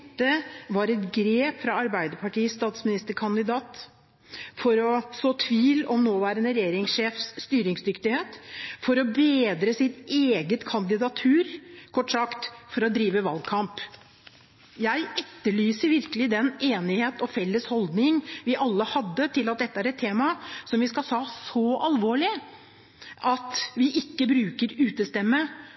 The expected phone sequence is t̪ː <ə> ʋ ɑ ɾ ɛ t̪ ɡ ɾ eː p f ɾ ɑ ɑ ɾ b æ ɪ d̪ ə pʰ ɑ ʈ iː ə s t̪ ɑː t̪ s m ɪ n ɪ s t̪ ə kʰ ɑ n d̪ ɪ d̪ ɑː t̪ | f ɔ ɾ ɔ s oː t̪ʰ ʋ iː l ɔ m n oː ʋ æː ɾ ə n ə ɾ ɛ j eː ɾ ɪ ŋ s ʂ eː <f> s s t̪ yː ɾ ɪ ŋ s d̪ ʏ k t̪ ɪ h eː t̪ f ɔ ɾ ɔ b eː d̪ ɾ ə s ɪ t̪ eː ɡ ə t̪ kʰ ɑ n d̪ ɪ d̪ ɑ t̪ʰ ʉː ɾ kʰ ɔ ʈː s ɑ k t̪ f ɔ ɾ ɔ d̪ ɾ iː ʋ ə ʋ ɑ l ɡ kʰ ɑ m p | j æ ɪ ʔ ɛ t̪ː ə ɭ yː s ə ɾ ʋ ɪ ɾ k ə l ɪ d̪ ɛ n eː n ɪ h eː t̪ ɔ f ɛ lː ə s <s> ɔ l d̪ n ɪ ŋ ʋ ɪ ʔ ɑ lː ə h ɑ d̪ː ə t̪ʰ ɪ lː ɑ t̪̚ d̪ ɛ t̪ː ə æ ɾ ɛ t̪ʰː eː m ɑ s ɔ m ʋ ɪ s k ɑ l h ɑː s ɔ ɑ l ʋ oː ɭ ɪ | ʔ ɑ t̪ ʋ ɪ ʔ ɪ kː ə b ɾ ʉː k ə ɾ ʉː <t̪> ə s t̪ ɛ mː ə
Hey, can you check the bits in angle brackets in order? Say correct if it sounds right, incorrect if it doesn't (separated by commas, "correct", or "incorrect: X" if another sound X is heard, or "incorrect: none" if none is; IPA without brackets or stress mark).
correct, correct, incorrect: h, correct